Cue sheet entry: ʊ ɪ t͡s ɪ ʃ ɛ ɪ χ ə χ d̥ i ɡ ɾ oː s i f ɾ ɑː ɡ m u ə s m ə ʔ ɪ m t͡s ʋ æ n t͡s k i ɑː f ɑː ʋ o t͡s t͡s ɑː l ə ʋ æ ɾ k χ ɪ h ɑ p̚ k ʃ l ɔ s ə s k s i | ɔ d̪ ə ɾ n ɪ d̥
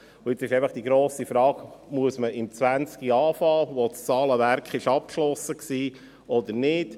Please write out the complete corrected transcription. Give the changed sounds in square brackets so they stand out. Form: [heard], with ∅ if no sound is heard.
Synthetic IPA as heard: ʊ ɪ t͡s ɪ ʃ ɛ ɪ [f] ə χ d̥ i ɡ ɾ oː s i f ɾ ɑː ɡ m u ə s m ə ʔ ɪ m t͡s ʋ æ n t͡s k i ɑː f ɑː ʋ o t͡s t͡s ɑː l ə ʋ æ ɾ k χ ɪ [ʃ] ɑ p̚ k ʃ l ɔ s ə [∅] k s [iː] | ɔ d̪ ə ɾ n ɪ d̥

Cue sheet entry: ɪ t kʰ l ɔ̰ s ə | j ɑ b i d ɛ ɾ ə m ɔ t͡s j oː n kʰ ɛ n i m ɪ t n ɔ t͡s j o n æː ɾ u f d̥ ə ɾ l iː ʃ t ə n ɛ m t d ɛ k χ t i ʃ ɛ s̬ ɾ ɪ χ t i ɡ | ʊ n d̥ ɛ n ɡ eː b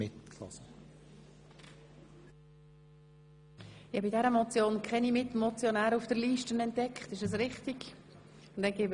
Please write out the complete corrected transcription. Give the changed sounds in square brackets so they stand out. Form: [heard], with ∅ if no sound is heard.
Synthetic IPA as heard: ɪ t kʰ l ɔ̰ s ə | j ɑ b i d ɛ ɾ ə m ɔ t͡s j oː n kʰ ɛ n i m ɪ t [m] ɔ t͡s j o n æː ɾ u f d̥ ə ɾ l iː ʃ t ə n ɛ [n] t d ɛ k χ t [ɪ] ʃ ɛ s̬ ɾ ɪ χ t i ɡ | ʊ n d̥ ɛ n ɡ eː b

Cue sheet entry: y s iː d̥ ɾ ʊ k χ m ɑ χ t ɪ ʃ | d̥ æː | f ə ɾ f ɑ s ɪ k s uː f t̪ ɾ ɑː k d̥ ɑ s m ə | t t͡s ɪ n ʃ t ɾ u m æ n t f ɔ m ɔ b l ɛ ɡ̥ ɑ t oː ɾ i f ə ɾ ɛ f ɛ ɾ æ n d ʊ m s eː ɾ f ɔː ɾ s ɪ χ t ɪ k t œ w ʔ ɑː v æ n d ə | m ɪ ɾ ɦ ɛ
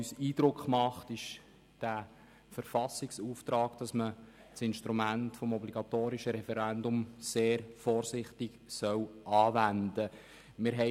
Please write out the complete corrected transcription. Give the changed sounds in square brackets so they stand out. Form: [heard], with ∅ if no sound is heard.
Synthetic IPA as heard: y s iː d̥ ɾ ʊ k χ m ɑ χ t ɪ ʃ | d̥ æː | f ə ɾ f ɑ s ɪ k s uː f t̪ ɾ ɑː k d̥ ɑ s m ə | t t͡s ɪ n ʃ t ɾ u m æ n t f ɔ m ɔ b l [i] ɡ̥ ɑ t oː ɾ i [ʃ] ə ɾ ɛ f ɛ ɾ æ n d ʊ m s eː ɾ f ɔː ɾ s ɪ χ t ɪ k [s] œ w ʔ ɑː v æ n d ə | m ɪ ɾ ɦ ɛ

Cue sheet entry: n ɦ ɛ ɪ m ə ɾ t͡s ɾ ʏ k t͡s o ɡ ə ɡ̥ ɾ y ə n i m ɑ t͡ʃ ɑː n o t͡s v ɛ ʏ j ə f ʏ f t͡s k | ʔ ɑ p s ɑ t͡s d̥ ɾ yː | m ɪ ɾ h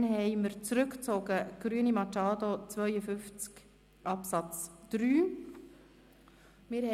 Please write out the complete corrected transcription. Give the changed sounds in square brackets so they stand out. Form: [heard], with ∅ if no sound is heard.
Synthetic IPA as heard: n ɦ ɛ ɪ m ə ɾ t͡s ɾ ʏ k t͡s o ɡ ə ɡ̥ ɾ y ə n i m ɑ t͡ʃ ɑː [d] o t͡s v [œ] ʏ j ə f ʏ f t͡s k | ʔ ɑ p s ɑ t͡s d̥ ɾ yː | m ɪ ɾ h

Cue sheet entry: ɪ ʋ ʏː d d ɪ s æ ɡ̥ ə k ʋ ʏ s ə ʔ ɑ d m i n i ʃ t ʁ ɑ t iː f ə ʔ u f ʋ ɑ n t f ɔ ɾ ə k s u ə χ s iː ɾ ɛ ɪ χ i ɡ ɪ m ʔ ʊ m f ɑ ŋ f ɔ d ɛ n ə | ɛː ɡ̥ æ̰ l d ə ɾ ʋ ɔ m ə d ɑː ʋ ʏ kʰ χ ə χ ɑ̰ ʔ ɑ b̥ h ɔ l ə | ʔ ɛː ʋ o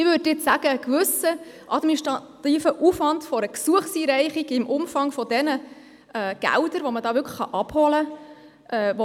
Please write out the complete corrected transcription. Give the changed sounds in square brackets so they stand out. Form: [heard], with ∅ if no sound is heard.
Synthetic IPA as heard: ɪ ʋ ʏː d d ɪ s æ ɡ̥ ə k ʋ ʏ s ə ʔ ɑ d m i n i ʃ t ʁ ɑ t iː f ə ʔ u f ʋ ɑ n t f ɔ ɾ ə k s u ə χ s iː ɾ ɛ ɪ χ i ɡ ɪ m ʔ ʊ m f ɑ ŋ f ɔ d ɛ n ə | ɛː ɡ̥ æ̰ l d ə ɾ ʋ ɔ m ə d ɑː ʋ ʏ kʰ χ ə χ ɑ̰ ʔ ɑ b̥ h ɔ l ə | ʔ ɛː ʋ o

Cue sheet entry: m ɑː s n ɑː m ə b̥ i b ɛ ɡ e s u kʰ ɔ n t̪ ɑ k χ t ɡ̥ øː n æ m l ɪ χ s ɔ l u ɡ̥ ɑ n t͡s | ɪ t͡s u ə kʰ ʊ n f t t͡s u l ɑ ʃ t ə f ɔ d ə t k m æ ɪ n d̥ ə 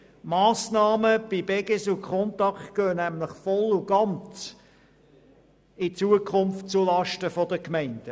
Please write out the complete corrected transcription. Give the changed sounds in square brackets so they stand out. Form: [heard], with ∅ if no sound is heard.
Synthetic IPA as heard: m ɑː s n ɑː m ə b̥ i b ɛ ɡ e s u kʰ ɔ n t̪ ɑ k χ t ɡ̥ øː n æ m l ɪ χ [f] ɔ l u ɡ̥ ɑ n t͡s | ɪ t͡s u ə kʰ ʊ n f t t͡s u l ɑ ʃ t ə f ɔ d ə [∅] k m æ ɪ n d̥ ə

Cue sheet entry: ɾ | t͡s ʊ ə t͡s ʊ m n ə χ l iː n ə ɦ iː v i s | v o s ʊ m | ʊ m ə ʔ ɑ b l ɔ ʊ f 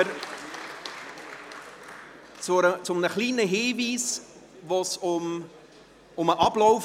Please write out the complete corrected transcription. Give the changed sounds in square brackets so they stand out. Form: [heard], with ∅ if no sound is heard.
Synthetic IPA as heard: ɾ | t͡s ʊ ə t͡s ʊ m n ə χ l iː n ə ɦ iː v [iː] s | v o s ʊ m | ʊ m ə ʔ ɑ b l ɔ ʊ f

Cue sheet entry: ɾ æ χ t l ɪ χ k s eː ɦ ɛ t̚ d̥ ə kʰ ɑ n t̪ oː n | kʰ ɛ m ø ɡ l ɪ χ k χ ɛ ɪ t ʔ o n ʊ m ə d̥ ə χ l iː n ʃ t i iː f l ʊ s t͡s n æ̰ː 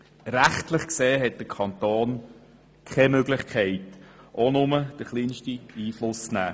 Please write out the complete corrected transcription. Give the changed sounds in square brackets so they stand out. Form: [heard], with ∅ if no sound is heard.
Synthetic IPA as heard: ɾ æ χ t l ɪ χ k s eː ɦ ɛ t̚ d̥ ə kʰ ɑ n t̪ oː n | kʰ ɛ m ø ɡ l ɪ χ k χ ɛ ɪ t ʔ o n ʊ m ə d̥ ə χ l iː n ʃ t i iː f l ʊ s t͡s n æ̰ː

